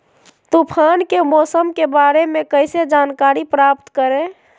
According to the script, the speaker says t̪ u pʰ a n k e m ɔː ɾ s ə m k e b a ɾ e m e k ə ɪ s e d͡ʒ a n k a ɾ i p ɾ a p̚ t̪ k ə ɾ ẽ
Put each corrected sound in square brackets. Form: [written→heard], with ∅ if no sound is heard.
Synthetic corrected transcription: t̪ u pʰ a n k e m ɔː [ɾ→∅] s ə m k e b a ɾ e m e k ə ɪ s e d͡ʒ a n k a ɾ i p ɾ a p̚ t̪ k ə ɾ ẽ